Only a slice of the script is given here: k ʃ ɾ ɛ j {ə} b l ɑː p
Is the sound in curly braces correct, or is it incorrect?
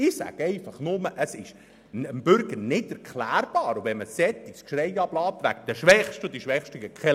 incorrect